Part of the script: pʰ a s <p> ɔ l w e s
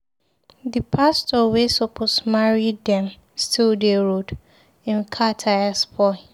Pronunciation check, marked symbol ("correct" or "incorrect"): incorrect